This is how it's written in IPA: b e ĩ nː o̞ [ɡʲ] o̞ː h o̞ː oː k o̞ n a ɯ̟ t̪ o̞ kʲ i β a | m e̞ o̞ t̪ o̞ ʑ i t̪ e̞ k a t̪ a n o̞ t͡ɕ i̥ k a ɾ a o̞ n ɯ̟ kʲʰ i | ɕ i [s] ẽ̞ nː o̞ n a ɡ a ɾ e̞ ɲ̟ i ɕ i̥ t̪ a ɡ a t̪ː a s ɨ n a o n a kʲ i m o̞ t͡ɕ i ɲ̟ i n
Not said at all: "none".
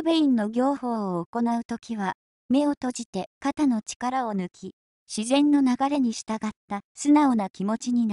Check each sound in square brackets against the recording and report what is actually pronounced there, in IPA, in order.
ɡʲ, z

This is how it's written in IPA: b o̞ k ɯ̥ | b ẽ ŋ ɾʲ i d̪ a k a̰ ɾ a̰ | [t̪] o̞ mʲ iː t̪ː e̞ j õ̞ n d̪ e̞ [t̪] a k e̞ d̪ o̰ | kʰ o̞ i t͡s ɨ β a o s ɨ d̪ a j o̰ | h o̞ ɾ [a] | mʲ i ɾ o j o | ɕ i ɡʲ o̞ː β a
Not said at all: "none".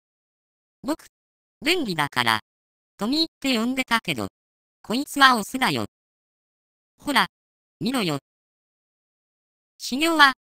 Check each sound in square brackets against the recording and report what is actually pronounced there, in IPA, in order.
t̪, t̪, a

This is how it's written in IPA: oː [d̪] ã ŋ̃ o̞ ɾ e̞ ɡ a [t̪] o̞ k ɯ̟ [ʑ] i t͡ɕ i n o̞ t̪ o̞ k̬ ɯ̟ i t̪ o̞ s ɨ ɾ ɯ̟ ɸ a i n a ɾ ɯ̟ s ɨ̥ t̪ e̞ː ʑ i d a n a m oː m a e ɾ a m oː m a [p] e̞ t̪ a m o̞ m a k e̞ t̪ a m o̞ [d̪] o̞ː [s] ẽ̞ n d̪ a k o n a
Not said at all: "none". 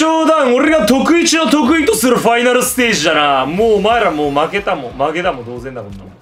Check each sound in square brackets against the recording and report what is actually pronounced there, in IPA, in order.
d̪, t̪, none, k, d̪, z

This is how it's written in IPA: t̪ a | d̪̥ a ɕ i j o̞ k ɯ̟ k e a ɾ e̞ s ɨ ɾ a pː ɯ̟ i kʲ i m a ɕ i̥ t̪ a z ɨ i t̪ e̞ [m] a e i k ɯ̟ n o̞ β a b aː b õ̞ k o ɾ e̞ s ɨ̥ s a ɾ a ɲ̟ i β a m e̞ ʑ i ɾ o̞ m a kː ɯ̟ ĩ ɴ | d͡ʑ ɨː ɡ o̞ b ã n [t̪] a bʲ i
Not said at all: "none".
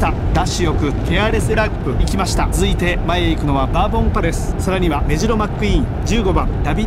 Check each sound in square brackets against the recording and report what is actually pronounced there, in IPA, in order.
m, d̪

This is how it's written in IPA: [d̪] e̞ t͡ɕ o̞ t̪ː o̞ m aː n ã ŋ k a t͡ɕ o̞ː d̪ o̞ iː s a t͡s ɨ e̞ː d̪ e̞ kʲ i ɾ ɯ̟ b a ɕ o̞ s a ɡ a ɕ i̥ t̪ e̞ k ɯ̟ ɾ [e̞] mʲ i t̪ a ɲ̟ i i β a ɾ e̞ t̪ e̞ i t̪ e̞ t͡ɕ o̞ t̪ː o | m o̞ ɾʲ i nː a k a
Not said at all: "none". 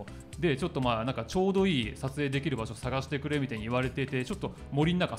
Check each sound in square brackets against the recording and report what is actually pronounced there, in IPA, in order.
d̪, e̞

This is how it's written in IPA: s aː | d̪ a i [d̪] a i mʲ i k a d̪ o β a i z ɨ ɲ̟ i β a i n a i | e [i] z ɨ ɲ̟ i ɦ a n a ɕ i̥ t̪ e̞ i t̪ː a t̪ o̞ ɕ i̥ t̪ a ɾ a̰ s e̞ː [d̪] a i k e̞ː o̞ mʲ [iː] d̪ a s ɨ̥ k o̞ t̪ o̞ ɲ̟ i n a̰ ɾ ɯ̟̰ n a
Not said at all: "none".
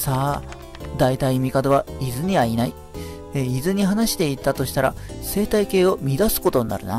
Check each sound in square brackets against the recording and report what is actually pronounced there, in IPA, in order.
t̪, i, t̪, i

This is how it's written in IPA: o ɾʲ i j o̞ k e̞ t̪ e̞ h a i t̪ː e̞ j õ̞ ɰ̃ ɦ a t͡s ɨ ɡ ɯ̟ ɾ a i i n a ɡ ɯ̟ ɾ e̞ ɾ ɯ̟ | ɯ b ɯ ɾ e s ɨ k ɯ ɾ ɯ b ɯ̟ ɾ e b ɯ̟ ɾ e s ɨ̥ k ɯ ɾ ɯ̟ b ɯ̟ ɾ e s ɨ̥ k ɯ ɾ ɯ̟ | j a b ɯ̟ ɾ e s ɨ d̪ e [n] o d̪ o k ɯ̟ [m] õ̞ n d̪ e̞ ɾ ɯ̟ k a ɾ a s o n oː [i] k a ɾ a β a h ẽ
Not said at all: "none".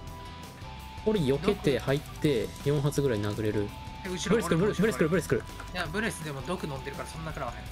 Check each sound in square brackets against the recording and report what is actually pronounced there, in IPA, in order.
m, n, a

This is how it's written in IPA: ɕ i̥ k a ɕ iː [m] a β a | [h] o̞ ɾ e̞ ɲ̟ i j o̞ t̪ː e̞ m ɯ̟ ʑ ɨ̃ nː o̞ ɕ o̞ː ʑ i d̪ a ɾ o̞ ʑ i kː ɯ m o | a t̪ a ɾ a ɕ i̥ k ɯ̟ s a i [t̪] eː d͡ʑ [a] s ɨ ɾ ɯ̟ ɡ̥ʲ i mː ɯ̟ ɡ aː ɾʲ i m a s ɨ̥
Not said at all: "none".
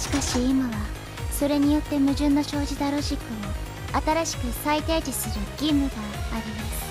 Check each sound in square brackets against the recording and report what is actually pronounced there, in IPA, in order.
m, s, t̪, i

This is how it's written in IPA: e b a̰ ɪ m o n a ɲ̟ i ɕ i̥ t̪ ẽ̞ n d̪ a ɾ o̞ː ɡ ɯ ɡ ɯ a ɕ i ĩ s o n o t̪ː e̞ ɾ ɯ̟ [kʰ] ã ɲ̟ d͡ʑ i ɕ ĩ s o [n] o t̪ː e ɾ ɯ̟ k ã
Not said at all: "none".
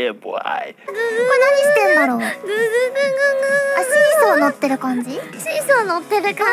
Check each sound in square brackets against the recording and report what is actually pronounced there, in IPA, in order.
k, n

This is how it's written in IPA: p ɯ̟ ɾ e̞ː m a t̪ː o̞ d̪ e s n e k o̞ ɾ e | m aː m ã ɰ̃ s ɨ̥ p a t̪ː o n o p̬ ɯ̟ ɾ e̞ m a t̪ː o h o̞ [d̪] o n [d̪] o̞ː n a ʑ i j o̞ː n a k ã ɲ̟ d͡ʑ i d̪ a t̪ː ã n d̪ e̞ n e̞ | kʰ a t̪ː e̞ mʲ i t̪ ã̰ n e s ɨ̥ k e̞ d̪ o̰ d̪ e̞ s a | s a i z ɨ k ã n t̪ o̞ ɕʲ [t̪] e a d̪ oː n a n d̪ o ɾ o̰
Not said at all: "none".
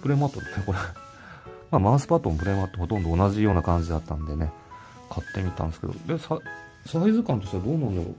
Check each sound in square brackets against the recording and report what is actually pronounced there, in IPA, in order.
t̪, d̪, t̪

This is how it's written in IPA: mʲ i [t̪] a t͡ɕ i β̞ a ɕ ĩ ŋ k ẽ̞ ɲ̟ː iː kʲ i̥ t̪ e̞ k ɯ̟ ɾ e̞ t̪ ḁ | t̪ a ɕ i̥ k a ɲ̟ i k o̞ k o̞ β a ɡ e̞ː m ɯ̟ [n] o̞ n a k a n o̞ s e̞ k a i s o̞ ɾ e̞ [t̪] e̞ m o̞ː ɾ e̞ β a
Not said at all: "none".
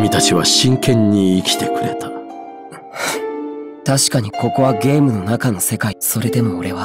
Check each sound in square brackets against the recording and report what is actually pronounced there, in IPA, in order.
t̪, n, d̪

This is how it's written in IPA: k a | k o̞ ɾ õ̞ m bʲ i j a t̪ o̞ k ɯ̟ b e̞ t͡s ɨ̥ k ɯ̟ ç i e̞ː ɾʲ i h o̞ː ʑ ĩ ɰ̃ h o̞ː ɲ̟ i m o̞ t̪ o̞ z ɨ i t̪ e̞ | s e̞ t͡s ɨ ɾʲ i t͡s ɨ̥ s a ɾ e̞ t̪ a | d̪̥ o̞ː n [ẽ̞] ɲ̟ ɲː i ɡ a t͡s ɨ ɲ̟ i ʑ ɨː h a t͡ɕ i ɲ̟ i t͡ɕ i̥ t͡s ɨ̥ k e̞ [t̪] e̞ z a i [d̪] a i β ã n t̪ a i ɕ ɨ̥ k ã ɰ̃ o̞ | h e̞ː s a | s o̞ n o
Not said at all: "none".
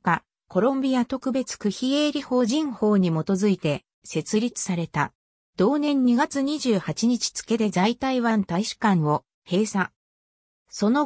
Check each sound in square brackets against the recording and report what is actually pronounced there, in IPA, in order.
ẽ̞, d̪, t̪

